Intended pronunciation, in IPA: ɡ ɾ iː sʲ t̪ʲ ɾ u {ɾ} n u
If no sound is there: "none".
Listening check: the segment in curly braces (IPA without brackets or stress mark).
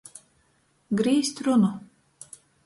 none